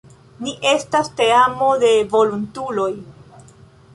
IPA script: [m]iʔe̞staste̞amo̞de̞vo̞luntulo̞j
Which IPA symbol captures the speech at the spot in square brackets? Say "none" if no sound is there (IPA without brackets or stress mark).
n